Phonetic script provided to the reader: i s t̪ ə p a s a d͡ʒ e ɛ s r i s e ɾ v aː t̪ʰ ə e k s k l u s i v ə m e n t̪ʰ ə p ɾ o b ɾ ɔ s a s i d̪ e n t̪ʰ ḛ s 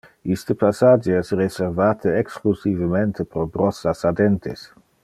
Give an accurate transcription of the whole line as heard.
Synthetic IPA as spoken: i s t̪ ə p a s a d͡ʒ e ɛ s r e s e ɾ v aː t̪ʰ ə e k s k l u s i v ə m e n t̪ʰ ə p ɾ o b ɾ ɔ s a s a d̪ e n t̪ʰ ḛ s